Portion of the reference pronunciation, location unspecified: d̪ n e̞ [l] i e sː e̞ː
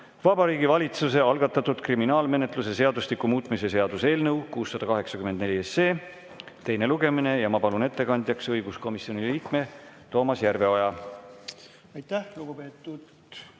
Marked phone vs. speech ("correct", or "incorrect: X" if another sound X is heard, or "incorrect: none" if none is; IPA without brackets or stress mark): correct